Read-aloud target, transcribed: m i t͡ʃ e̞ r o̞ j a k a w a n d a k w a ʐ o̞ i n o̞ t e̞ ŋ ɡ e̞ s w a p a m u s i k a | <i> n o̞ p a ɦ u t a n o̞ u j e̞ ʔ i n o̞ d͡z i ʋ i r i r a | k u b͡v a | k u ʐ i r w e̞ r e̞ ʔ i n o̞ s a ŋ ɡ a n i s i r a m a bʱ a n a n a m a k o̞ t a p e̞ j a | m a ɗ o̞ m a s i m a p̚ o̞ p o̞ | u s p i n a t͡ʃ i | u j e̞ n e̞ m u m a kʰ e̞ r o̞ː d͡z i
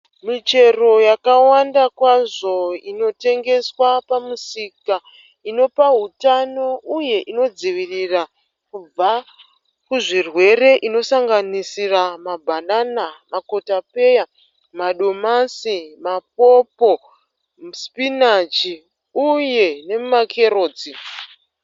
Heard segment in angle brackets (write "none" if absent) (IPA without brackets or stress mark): i